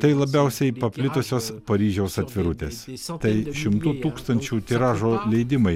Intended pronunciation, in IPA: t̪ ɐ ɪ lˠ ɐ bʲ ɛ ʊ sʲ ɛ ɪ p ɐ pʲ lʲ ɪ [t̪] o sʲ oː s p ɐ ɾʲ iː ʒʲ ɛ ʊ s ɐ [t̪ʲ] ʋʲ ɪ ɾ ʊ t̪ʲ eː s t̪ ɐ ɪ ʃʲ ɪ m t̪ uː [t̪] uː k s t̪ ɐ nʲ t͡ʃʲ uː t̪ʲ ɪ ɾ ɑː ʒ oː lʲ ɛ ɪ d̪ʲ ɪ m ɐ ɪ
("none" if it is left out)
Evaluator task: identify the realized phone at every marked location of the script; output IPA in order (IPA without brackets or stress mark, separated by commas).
t̪, t̪ʲ, t̪